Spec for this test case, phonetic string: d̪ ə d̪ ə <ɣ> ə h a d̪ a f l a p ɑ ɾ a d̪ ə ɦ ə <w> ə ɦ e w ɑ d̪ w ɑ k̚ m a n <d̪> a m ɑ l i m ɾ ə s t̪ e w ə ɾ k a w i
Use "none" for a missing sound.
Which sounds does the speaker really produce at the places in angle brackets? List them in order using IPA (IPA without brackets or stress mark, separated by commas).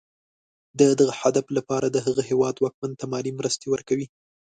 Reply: ɣ, ɣ, t̪